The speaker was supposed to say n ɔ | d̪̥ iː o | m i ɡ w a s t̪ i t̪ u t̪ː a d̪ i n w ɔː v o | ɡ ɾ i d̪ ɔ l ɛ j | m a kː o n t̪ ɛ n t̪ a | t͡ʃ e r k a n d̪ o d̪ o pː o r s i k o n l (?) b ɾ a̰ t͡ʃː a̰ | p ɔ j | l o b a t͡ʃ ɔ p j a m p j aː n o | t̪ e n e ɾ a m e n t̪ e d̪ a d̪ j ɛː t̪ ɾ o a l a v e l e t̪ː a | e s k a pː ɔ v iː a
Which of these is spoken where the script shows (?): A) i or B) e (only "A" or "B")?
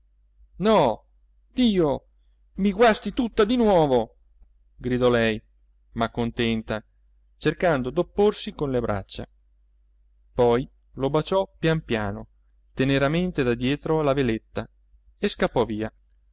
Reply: B